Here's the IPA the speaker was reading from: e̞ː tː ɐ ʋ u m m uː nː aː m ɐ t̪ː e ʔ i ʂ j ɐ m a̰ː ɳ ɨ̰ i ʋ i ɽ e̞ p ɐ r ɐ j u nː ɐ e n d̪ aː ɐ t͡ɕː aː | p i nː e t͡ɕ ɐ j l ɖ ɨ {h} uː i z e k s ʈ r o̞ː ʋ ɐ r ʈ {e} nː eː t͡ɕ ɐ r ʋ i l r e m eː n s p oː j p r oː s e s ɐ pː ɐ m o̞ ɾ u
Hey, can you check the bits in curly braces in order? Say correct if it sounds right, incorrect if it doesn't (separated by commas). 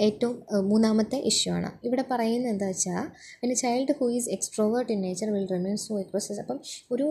correct, incorrect